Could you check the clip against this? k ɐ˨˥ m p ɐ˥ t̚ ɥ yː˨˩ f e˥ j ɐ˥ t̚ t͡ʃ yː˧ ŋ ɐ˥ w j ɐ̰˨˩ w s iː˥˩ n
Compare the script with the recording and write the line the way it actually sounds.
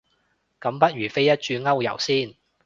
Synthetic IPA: k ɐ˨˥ m p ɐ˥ t̚ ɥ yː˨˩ f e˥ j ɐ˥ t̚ t͡ʃ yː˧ ŋ ɐ˥ w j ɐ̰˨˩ w s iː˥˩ n